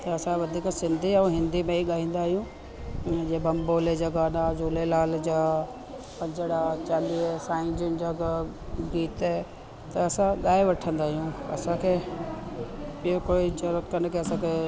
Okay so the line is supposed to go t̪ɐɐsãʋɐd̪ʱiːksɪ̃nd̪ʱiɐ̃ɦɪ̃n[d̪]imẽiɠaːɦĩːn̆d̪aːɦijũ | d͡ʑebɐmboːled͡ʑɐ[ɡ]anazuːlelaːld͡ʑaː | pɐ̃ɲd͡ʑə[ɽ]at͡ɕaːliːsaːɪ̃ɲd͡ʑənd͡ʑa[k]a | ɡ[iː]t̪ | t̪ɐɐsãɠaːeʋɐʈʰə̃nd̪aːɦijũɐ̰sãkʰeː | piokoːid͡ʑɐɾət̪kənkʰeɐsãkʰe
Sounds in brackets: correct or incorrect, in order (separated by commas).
correct, correct, correct, incorrect, correct